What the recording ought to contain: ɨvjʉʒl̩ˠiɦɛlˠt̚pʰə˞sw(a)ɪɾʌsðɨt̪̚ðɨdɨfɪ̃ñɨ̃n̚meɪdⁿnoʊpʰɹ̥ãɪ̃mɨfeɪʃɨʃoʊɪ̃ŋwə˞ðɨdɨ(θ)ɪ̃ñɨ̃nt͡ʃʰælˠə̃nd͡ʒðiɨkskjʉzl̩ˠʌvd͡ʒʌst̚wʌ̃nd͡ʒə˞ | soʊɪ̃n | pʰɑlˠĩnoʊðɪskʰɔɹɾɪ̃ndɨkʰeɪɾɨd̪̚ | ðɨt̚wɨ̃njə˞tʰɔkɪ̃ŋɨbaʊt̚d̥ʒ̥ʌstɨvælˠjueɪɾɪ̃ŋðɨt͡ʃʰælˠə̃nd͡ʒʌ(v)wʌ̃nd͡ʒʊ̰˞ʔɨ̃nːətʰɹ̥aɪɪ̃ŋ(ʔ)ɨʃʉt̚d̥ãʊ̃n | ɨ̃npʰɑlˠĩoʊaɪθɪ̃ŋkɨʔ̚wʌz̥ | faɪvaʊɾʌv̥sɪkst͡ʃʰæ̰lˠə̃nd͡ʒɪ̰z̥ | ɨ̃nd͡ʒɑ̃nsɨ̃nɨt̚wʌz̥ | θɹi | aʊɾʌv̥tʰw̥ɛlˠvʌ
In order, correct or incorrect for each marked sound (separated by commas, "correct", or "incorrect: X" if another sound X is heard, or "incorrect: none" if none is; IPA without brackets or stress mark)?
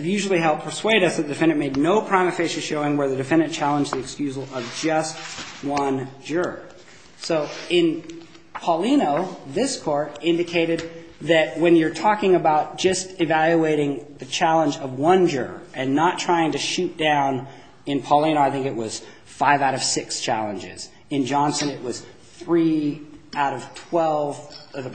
incorrect: e, incorrect: f, correct, incorrect: t